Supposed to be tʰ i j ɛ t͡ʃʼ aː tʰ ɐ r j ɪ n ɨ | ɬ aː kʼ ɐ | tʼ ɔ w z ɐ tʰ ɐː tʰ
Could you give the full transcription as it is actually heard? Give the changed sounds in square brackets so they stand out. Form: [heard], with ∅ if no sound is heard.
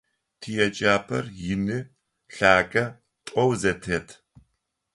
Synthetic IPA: tʰ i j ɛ t͡ʃʼ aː [pʰ] ɐ r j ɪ n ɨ | ɬ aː kʼ ɐ | tʼ ɔ w z ɐ tʰ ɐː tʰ